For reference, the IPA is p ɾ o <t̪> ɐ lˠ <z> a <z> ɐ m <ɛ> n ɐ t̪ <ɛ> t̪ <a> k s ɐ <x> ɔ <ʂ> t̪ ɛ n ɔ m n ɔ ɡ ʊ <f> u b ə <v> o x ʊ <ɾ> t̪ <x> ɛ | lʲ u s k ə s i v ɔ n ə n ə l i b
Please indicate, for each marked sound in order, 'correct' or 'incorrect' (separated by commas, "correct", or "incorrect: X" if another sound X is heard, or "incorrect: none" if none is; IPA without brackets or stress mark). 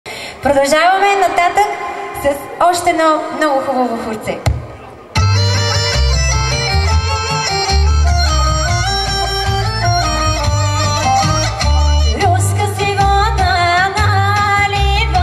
incorrect: d̪, incorrect: ʒ, incorrect: v, correct, incorrect: a, incorrect: ə, incorrect: s, incorrect: ʃ, incorrect: x, correct, correct, incorrect: s